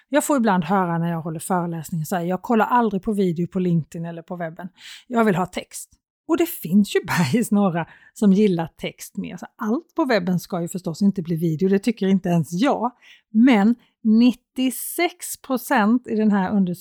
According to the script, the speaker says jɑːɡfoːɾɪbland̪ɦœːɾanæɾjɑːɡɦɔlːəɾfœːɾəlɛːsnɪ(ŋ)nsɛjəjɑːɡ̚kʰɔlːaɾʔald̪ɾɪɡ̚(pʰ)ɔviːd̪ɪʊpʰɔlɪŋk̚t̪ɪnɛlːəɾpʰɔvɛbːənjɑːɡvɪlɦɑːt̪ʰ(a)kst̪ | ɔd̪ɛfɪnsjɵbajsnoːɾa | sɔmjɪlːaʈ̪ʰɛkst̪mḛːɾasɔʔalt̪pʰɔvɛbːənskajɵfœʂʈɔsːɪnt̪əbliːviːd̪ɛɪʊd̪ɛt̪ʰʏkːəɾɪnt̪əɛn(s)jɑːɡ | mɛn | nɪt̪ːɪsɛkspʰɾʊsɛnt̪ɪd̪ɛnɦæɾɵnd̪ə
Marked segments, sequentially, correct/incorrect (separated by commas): correct, correct, incorrect, correct